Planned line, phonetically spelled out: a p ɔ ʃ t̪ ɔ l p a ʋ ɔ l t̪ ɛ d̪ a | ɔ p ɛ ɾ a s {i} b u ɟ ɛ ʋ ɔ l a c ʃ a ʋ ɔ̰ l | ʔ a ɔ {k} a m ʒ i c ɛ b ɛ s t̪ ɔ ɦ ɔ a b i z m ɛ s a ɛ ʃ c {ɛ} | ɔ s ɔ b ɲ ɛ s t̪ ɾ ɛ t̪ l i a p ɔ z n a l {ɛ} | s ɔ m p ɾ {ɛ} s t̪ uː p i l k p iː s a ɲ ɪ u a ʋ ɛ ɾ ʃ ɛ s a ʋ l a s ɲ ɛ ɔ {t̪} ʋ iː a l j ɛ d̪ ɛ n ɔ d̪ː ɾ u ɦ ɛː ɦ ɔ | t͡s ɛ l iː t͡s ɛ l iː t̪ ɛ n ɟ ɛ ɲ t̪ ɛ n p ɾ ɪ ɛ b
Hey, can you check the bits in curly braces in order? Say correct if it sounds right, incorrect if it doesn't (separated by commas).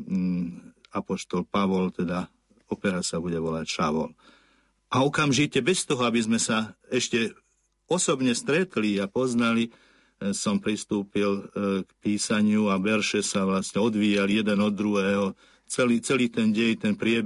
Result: incorrect, correct, correct, incorrect, incorrect, incorrect